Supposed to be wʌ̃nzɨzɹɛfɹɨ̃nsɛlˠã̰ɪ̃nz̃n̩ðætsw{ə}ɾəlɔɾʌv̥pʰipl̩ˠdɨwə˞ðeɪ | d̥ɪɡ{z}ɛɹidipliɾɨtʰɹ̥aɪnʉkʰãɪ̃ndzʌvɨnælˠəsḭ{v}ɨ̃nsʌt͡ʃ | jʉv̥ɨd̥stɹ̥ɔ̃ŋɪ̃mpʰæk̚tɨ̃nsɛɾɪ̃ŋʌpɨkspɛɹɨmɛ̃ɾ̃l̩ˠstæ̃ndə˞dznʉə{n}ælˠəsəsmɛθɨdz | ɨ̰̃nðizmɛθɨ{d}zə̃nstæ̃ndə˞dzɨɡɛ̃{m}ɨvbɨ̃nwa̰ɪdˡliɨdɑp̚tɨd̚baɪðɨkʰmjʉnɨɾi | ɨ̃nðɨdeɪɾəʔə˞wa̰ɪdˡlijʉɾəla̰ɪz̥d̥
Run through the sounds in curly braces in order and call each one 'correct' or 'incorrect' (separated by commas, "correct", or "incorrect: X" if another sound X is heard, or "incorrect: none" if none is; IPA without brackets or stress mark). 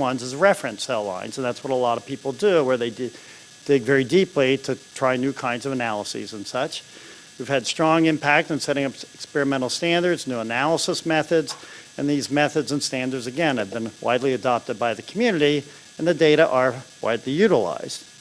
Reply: incorrect: ʌ, incorrect: v, incorrect: z, correct, correct, incorrect: n